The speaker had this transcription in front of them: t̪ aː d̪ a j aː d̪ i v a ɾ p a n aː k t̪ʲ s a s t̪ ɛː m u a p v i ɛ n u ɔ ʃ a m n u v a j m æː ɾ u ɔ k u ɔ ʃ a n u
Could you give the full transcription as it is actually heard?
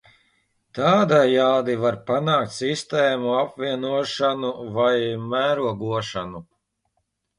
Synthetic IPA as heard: t̪ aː d̪ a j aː d̪ i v a ɾ p a n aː k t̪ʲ s i s t̪ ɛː m u a p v i ɛ n u ɔ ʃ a n u v a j m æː ɾ u ɔ ɡ u ɔ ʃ a n u